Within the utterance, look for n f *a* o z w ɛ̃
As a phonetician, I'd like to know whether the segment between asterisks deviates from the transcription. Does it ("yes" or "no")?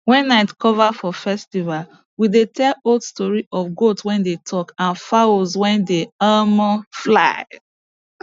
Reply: no